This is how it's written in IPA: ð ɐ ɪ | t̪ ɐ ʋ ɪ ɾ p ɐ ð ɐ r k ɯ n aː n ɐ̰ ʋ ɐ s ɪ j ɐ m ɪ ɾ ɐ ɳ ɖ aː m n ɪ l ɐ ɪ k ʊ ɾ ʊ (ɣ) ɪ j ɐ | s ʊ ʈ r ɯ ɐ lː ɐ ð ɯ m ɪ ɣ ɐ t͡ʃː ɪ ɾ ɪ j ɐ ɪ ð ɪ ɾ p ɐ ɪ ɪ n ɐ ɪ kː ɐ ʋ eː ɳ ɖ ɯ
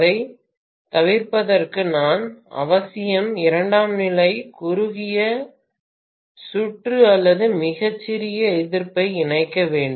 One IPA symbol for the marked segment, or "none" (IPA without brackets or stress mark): ɣ